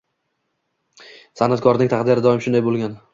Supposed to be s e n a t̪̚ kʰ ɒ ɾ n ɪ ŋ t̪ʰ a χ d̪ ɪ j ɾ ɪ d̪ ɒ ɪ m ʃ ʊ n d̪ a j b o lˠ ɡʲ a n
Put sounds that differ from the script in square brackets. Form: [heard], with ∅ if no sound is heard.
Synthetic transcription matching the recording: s [a] n a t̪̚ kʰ ɒ ɾ n ɪ ŋ t̪ʰ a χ d̪ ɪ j ɾ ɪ d̪ ɒ ɪ m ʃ ʊ n d̪ a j b o lˠ ɡʲ a n